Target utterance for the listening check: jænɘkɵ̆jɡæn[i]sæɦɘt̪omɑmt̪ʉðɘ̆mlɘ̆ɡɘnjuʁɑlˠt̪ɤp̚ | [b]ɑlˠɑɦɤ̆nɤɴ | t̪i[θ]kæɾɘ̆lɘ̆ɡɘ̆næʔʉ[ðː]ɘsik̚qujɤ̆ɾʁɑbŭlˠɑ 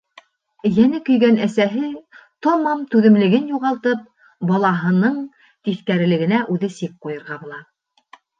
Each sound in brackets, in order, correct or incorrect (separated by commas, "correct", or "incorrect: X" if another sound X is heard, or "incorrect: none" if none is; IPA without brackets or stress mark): incorrect: æ, correct, correct, incorrect: ð